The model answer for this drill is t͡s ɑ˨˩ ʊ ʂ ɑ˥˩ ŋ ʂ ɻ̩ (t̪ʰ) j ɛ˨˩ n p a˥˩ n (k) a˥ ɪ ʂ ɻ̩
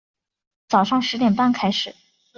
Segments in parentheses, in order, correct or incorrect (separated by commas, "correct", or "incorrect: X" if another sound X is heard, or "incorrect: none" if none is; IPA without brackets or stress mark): incorrect: t̪, incorrect: kʰ